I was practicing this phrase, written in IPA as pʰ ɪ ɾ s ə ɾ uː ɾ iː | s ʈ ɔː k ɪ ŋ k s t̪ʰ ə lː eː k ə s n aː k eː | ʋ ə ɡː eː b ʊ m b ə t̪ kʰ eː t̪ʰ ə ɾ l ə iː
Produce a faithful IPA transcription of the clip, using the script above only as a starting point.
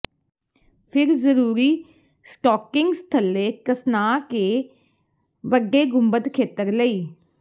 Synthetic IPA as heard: pʰ ɪ ɾ z ə ɾ uː ɾ iː | s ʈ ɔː k ɪ ŋ ɡ s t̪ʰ ə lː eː k ə s n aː k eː | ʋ ə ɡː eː ɡ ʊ m b ə t̪ kʰ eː t̪ ə ɾ l ə iː